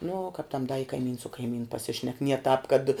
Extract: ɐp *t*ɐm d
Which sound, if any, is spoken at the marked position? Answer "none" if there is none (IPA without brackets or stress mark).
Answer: t